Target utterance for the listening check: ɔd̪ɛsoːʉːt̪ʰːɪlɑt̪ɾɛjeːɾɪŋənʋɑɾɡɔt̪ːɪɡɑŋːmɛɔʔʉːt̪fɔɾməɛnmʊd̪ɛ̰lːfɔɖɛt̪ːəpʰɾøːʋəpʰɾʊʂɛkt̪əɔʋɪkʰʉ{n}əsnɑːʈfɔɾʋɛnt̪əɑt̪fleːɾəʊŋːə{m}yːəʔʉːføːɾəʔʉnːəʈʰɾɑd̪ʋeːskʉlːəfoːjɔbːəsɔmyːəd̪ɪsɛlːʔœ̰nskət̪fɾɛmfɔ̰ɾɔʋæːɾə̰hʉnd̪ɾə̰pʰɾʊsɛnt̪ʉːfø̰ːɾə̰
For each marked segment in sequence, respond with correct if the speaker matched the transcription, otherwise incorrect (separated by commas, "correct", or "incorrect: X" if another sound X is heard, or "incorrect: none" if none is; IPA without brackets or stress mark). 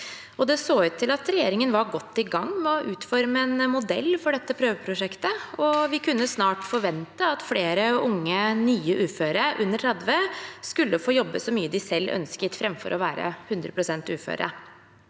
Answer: incorrect: nː, incorrect: n